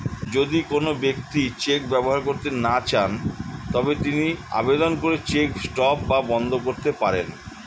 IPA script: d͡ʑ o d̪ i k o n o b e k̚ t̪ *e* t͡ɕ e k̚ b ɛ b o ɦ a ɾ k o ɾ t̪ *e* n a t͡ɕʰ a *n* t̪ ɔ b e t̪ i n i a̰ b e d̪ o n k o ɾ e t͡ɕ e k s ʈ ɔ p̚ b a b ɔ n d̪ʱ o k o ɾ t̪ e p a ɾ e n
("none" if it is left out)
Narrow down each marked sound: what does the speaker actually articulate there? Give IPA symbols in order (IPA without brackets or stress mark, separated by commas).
i, e, n